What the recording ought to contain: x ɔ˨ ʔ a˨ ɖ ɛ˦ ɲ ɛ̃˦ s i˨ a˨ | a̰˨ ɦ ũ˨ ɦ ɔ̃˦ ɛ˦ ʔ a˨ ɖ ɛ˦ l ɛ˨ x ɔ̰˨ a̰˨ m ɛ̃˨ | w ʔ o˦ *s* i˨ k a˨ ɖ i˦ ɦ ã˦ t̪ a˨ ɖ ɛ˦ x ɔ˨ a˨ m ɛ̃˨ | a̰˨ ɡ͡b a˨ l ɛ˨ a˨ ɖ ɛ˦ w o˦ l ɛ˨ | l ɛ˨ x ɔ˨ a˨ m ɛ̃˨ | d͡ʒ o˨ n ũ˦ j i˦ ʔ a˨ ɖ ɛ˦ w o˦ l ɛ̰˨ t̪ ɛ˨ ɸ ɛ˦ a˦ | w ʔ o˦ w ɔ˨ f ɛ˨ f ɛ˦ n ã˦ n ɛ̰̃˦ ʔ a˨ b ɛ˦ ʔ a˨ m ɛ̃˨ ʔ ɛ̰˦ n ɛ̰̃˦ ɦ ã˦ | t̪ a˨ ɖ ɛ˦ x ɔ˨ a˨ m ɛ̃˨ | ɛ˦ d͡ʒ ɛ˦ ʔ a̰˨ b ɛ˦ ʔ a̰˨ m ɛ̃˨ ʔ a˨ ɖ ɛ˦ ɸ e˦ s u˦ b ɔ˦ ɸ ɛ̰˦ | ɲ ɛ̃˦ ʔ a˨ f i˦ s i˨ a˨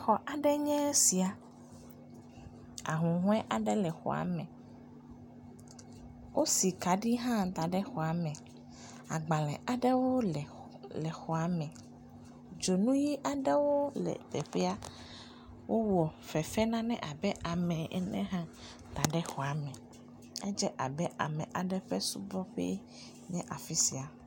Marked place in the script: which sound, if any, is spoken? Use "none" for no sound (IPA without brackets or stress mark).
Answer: s